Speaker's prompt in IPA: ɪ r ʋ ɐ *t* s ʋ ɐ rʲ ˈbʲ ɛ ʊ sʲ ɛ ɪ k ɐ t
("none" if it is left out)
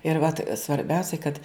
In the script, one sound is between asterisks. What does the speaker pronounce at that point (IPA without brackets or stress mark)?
t